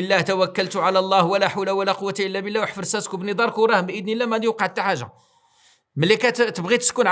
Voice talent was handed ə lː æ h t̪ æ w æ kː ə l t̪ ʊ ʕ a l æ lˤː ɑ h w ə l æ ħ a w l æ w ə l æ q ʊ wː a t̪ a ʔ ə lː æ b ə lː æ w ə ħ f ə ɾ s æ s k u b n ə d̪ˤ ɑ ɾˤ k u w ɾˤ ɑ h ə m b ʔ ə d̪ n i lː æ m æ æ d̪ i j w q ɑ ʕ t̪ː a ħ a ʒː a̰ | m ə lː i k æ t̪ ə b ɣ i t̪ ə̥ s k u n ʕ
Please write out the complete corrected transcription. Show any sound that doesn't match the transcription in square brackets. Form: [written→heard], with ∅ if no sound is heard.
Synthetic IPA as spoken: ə lː æ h t̪ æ w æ kː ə l t̪ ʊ ʕ a l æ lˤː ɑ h w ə l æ ħ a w l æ w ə l æ q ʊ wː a t̪ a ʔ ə lː æ b ə lː æ w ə ħ f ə ɾ s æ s k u b n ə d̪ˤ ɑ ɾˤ k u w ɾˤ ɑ h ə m b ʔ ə d̪ n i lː æ m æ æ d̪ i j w q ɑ ʕ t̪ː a ħ a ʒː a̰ | m ə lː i k æ t̪ ə b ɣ i t̪ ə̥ s k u n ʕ